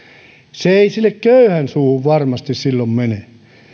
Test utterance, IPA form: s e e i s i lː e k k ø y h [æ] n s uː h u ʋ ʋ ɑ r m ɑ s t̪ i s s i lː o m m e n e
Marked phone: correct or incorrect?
correct